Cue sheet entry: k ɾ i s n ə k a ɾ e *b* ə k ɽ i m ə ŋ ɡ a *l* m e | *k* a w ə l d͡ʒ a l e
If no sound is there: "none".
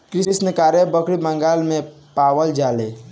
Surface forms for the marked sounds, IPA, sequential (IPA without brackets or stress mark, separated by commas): b, l, p